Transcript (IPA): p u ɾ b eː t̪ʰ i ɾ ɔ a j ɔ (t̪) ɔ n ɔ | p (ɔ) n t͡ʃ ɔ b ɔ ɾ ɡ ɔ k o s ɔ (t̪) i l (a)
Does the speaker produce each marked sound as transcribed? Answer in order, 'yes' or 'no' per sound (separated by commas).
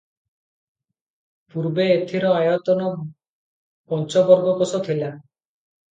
yes, yes, no, yes